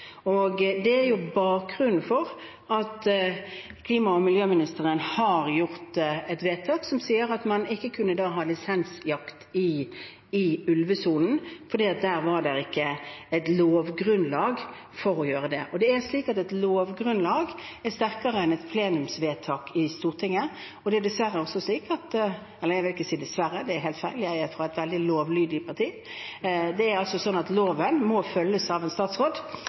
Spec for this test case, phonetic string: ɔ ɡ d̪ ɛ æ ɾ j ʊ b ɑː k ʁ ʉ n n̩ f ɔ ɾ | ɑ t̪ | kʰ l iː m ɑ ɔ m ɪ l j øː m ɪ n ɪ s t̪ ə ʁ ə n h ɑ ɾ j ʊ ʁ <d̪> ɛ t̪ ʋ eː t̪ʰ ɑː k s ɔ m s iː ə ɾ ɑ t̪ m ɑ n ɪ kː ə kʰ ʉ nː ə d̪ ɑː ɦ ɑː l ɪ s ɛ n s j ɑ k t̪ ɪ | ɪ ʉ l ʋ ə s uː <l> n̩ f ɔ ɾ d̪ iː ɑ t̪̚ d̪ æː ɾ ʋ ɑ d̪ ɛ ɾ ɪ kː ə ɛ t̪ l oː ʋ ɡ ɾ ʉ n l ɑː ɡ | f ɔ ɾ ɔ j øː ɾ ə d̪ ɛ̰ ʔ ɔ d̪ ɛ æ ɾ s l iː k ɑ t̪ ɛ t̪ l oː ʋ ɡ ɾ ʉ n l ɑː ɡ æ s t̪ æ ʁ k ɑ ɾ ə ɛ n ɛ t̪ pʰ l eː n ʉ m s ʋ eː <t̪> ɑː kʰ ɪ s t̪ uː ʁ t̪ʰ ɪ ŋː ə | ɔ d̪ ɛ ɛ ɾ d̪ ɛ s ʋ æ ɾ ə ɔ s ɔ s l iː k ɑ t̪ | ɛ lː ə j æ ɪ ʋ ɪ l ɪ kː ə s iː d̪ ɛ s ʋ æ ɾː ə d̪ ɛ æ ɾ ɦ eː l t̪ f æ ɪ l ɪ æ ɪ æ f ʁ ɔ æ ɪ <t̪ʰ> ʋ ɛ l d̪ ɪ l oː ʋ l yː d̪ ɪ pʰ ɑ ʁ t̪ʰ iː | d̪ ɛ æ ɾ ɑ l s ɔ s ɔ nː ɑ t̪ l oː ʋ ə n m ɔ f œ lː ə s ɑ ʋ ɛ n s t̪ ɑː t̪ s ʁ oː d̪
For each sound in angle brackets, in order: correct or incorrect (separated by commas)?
incorrect, correct, incorrect, incorrect